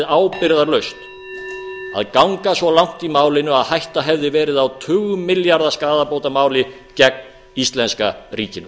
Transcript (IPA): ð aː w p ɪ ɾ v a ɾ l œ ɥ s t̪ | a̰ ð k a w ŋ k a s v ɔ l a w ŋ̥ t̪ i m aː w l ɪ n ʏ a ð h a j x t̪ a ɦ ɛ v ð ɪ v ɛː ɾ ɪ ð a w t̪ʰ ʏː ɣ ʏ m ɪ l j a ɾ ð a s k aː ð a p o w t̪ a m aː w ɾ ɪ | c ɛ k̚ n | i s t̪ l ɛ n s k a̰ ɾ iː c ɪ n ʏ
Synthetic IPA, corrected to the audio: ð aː w p ɪ ɾ ð a ɾ l œ ɥ s t̪ | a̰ ð k a w ŋ k a s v ɔ l a w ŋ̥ t̪ i m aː w l ɪ n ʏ a ð h a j h t̪ a ɦ ɛ v ð ɪ v ɛː ɾ ɪ ð a w t̪ʰ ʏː ɣ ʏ m ɪ l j a ɾ ð a s k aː ð a p o w t̪ a m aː w l ɪ | c ɛ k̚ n | i s t̪ l ɛ n s k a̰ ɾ iː c ɪ n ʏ